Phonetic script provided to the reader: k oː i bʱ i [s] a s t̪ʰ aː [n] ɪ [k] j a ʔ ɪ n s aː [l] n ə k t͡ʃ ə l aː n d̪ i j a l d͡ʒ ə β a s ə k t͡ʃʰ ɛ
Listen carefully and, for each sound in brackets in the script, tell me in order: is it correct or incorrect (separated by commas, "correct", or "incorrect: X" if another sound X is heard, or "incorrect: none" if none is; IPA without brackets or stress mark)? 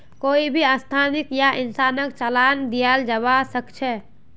incorrect: none, correct, correct, incorrect: none